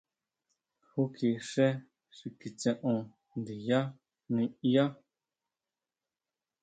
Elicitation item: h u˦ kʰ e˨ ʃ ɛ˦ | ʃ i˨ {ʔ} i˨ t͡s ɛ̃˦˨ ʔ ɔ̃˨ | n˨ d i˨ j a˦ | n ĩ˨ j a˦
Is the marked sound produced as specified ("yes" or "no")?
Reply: no